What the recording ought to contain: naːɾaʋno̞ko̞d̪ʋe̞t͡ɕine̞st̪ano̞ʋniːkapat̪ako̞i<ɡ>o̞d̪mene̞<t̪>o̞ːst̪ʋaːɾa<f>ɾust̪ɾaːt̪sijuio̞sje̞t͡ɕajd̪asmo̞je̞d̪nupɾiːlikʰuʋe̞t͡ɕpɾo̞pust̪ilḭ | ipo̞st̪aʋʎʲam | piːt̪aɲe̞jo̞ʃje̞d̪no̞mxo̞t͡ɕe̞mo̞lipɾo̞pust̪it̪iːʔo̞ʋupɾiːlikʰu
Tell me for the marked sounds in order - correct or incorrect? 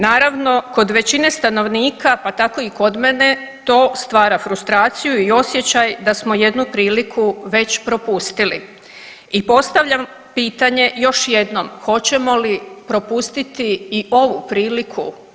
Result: incorrect: k, correct, correct

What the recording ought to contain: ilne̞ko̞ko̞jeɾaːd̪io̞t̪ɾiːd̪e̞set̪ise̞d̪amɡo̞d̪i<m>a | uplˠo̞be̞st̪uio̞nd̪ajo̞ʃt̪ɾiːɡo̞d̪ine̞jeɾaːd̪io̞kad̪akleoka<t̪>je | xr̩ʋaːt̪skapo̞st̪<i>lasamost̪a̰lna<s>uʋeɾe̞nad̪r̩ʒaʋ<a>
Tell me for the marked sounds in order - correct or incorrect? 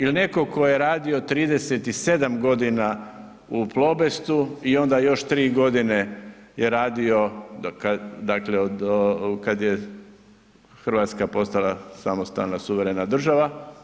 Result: incorrect: n, incorrect: d̪, incorrect: a, correct, correct

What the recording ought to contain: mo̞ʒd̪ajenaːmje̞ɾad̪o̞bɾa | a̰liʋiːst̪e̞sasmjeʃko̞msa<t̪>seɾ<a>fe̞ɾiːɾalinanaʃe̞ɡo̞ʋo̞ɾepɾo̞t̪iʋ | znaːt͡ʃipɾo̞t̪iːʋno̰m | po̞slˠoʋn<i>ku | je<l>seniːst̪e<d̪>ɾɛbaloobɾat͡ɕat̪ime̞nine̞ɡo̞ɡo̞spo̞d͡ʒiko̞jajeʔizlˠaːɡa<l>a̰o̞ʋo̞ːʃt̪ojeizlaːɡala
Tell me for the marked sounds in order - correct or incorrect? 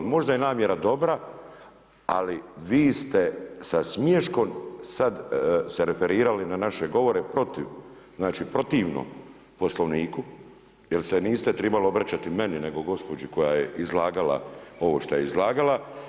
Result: incorrect: d̪, incorrect: e, incorrect: iː, correct, incorrect: t̪, correct

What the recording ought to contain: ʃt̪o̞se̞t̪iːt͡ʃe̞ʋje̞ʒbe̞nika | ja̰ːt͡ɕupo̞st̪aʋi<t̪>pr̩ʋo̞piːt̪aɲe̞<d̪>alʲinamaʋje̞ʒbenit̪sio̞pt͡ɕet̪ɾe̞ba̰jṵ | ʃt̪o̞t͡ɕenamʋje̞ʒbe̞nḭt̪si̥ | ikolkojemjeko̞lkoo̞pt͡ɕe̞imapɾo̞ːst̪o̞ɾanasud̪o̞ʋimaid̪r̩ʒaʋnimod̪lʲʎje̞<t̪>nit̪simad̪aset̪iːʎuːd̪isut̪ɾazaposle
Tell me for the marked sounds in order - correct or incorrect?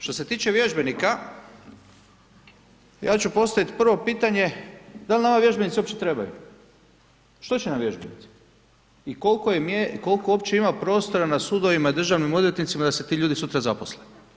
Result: correct, correct, correct

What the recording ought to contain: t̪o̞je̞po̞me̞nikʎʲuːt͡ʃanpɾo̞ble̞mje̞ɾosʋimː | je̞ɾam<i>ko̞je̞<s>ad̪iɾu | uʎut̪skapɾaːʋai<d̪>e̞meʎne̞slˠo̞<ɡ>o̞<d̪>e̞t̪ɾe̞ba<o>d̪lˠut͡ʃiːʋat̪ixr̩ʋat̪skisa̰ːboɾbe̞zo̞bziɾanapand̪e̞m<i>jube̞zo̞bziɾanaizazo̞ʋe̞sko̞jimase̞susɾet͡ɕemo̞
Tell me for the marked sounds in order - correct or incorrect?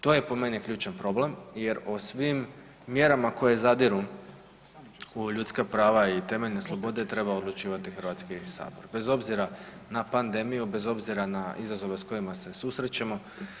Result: incorrect: a, incorrect: z, incorrect: t̪, incorrect: b, correct, correct, correct

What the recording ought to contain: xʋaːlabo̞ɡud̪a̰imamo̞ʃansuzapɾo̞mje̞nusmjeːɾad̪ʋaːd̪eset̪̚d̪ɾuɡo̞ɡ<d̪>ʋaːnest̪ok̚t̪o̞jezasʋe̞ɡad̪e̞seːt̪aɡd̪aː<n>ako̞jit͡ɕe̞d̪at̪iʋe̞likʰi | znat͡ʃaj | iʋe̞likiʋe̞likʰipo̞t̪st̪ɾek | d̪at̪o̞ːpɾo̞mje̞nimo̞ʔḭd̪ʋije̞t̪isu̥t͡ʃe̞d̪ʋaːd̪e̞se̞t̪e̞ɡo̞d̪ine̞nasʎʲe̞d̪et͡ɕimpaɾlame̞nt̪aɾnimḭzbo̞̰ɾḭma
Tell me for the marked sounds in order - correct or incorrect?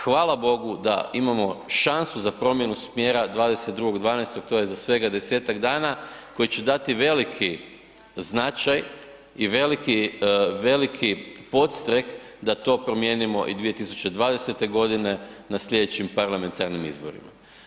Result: correct, correct

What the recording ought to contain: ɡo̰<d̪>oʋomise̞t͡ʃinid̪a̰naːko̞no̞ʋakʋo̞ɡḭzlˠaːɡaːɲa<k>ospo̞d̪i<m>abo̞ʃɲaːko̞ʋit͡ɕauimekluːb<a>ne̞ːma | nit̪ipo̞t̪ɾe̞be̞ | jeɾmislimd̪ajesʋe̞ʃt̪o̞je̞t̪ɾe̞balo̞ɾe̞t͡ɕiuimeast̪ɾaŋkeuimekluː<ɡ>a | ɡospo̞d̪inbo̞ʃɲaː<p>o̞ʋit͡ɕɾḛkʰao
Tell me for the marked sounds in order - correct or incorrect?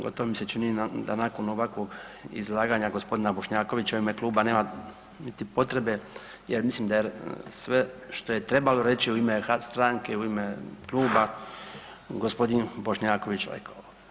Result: incorrect: t̪, incorrect: ɡ, incorrect: n, correct, incorrect: b, incorrect: k

